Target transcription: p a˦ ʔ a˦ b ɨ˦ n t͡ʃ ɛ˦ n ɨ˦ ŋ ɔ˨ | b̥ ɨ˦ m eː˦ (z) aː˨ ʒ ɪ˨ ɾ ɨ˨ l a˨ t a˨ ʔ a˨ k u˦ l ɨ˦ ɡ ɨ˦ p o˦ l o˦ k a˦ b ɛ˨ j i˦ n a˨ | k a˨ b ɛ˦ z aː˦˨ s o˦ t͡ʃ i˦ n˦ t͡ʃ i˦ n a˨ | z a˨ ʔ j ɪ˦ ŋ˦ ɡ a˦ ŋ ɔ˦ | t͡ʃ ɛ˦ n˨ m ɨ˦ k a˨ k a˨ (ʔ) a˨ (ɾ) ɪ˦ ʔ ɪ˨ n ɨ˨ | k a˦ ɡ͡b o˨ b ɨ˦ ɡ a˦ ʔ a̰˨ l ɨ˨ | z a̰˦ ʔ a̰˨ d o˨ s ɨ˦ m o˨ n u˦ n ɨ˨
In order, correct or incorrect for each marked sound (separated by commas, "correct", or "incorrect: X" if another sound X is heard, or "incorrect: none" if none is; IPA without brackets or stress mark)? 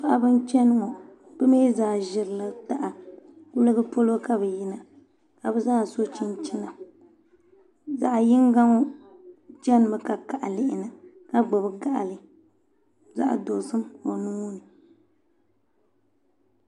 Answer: correct, correct, incorrect: l